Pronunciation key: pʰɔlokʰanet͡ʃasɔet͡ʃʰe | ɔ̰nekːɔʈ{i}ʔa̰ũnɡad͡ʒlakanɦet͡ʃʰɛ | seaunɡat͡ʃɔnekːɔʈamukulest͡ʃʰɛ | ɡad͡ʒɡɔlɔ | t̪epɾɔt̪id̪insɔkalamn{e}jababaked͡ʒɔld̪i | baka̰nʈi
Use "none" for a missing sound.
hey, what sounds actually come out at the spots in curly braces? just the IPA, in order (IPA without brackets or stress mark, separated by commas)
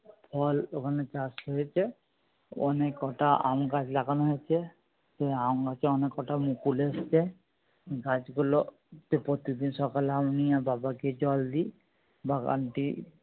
a, i